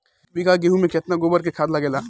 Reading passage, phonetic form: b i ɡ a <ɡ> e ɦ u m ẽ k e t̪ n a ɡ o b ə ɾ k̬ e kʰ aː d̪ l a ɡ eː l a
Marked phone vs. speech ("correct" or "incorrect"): correct